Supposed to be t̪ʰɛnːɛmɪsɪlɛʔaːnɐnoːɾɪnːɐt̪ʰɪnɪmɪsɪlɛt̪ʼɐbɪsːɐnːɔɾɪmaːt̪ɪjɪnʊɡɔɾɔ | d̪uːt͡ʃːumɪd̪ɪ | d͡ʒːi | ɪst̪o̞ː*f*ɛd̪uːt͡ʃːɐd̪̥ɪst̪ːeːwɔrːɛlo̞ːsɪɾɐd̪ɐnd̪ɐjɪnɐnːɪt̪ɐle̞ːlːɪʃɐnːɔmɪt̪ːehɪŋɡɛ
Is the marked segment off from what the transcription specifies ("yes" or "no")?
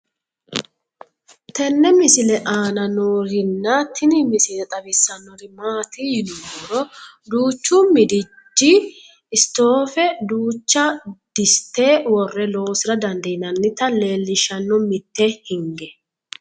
no